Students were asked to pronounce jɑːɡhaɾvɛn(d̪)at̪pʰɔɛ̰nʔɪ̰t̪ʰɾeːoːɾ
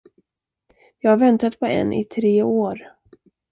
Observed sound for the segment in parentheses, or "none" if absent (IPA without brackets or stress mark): t̪